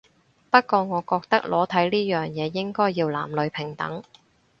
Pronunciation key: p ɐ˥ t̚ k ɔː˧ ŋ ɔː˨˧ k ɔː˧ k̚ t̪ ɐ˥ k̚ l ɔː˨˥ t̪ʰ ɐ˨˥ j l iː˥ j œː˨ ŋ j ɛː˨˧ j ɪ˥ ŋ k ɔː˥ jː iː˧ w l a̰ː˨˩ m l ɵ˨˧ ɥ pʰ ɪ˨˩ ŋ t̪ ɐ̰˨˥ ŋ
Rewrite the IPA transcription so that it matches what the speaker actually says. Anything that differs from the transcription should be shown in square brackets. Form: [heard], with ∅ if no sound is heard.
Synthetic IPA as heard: p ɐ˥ t̚ k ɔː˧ ŋ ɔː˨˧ k ɔː˧ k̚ t̪ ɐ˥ k̚ l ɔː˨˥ t̪ʰ ɐ˨˥ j l iː˥ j œː˨ ŋ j ɛː˨˧ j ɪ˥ ŋ k ɔː˥ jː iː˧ w l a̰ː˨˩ m l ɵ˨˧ ɥ pʰ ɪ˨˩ ŋ t̪ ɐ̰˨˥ ŋ